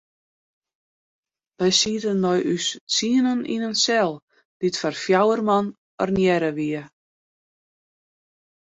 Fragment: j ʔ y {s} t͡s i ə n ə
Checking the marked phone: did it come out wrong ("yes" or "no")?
no